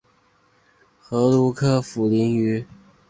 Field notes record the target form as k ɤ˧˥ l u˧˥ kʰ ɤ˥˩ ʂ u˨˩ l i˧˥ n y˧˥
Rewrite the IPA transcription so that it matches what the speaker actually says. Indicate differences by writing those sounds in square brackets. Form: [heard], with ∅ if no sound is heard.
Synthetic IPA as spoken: [x] ɤ˧˥ l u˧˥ kʰ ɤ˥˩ [f] u˨˩ l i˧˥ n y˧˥